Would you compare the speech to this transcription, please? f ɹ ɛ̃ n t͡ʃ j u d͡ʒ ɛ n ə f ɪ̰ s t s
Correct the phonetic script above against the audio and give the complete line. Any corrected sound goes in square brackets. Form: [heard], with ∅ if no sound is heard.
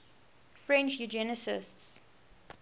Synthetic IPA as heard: f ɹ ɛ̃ n t͡ʃ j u d͡ʒ ɛ n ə [s] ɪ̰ s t s